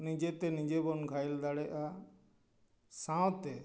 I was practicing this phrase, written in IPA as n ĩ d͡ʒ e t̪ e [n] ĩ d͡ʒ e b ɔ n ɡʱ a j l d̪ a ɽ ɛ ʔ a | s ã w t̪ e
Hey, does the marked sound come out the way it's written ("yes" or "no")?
yes